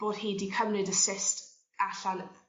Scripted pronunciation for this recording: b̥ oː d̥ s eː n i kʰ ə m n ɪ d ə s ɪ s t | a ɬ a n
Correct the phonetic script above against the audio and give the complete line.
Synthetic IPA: b̥ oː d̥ h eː d i kʰ ə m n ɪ d ə s ɪ s t | a ɬ a n